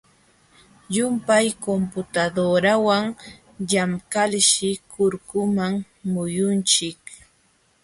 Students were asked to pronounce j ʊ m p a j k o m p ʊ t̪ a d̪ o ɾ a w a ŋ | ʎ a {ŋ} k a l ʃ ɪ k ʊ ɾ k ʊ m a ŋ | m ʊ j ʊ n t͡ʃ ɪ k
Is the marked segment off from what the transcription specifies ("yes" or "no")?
yes